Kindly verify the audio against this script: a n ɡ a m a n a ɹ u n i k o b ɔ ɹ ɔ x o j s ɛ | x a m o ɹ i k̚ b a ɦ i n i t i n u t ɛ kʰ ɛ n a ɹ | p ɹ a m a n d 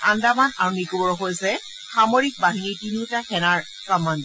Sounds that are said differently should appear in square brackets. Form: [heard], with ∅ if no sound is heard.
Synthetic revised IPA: a n [d] a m a n a ɹ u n i k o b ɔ ɹ ɔ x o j s ɛ | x a m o ɹ i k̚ b a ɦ i n i t i n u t [a] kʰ ɛ n a ɹ | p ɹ a m a n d